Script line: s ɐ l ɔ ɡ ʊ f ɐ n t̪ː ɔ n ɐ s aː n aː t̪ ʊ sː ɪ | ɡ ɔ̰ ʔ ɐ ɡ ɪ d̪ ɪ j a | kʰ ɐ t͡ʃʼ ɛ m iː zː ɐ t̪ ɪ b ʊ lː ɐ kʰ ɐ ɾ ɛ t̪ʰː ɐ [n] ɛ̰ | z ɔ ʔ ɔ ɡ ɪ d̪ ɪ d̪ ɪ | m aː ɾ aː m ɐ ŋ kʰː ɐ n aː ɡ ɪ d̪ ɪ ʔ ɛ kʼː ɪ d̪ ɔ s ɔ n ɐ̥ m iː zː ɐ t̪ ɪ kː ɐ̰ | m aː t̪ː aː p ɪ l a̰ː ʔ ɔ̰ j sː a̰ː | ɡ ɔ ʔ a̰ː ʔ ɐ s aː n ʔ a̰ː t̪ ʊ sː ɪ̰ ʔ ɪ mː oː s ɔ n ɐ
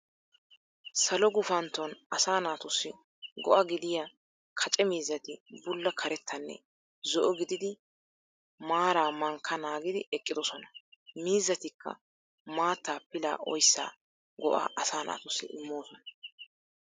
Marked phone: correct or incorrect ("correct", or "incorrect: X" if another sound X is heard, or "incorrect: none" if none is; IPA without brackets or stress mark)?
incorrect: nː